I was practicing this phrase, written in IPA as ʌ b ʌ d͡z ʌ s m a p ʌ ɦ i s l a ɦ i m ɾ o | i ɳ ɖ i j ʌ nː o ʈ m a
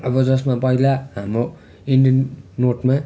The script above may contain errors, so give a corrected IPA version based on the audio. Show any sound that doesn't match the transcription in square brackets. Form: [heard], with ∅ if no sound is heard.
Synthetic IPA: ʌ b ʌ d͡z ʌ s m a p ʌ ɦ i [∅] l a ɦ [a] m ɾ o | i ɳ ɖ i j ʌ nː o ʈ m a